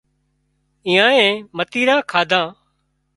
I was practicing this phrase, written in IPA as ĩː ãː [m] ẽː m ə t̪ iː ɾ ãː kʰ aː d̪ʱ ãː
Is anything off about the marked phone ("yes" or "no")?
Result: yes